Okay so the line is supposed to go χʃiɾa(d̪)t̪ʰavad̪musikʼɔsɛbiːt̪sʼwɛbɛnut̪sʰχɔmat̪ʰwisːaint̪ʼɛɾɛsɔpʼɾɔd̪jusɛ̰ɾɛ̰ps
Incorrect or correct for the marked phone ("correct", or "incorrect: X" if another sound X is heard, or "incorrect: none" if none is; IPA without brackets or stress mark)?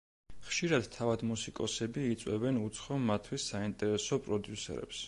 correct